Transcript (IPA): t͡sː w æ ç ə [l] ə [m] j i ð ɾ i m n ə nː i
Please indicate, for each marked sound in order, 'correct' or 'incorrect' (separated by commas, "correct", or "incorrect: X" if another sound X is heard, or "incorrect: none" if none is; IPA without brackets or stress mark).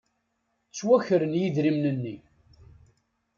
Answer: incorrect: ɾ, incorrect: n